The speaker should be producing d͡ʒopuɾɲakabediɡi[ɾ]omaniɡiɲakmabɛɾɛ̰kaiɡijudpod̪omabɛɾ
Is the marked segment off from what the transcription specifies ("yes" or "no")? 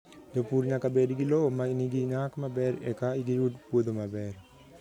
yes